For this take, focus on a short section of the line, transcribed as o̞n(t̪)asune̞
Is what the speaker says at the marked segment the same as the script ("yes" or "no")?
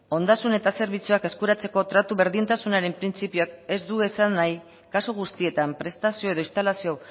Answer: no